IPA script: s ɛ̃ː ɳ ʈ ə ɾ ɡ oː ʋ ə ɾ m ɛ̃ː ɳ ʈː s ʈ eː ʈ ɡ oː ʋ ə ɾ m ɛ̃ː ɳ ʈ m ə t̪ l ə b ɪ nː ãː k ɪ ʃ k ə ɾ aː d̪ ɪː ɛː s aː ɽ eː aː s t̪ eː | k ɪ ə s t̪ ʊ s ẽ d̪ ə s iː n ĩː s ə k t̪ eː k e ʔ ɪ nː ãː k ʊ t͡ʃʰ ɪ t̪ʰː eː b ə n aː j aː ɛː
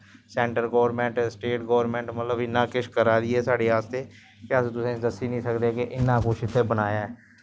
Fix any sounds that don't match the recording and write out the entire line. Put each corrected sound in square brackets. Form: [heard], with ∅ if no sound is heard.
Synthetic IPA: s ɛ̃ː ɳ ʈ ə ɾ ɡ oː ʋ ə ɾ m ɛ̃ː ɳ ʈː s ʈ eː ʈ ɡ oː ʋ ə ɾ m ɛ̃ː ɳ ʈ m ə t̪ l ə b ɪ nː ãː k ɪ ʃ k ə ɾ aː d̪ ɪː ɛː s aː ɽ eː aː s t̪ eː | k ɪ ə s t̪ ʊ s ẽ d̪ ə s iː n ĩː s ə k [d̪] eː k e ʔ ɪ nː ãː k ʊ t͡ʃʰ ɪ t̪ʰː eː b ə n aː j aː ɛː